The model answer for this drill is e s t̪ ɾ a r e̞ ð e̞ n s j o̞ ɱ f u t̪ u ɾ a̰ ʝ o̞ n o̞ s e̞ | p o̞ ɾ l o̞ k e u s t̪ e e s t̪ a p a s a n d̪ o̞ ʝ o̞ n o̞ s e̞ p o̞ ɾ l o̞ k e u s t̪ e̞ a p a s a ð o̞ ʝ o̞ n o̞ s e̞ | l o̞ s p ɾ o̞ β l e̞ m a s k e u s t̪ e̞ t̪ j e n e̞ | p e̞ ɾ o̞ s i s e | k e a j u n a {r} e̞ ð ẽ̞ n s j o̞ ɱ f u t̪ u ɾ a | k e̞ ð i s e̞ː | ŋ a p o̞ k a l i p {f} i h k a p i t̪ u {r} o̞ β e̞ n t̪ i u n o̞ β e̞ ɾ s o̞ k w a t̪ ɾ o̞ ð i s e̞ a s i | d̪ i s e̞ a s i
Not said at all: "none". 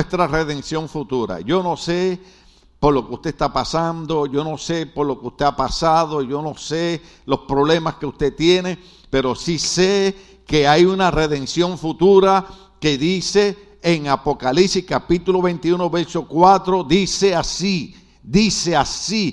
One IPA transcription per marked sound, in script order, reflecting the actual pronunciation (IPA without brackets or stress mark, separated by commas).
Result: r, s, l